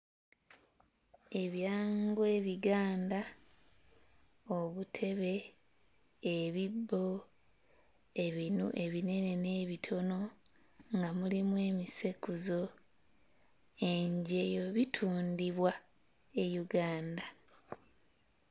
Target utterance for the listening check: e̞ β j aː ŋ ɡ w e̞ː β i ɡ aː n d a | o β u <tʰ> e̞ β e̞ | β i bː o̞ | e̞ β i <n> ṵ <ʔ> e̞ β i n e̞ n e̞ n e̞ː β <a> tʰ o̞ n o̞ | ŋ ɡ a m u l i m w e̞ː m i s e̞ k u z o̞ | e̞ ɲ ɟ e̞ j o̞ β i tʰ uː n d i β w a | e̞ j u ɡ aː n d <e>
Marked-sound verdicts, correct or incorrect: correct, correct, correct, incorrect: i, incorrect: a

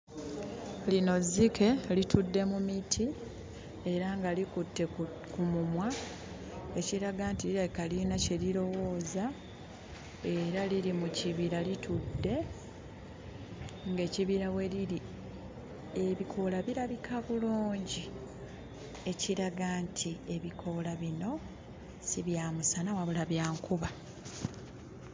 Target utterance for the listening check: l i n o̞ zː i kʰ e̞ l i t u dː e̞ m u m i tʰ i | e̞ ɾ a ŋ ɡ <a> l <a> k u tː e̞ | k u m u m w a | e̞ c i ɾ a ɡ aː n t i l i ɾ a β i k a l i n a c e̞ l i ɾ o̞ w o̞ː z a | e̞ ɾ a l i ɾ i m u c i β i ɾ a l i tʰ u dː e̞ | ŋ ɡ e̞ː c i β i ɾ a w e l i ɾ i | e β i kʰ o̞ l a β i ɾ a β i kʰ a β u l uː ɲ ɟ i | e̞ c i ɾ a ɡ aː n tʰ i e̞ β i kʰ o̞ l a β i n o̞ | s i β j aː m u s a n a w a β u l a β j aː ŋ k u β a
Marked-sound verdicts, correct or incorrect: correct, incorrect: i

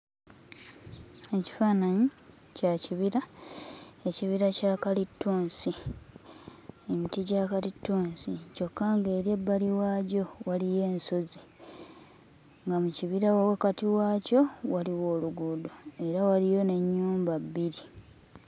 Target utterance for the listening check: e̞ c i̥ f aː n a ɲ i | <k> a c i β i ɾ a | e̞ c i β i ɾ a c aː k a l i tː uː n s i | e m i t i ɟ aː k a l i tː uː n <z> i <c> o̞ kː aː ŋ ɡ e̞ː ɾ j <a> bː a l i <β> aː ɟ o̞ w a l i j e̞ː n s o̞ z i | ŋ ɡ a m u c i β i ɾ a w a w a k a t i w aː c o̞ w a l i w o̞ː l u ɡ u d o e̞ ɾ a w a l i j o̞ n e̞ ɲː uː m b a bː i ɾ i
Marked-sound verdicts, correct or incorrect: incorrect: c, incorrect: s, correct, incorrect: e, incorrect: w

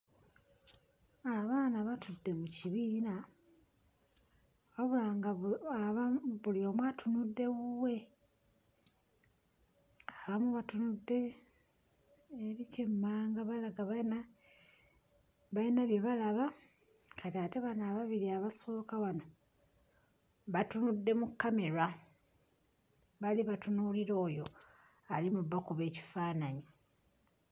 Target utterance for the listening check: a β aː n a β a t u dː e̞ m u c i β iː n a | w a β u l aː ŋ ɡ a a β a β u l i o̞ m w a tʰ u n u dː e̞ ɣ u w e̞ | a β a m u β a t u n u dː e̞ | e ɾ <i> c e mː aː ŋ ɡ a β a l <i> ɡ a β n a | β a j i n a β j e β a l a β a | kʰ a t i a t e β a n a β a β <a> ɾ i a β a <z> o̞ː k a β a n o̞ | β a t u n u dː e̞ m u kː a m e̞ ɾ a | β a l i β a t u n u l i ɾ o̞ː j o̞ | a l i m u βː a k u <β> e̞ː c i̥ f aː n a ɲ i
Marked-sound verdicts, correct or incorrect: correct, incorrect: a, incorrect: i, incorrect: s, correct

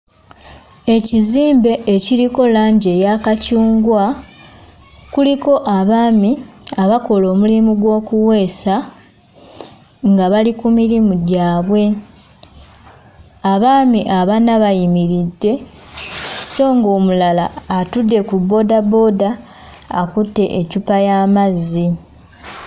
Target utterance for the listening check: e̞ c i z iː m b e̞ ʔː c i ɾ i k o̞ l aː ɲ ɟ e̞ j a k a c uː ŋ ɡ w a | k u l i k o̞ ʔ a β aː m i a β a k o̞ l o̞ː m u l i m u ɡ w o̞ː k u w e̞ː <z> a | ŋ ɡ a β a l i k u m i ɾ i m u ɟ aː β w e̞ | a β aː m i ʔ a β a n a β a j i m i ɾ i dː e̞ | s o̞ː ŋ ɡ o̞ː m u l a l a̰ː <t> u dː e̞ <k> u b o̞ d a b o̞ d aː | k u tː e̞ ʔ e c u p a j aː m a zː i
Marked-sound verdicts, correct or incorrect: incorrect: s, correct, correct

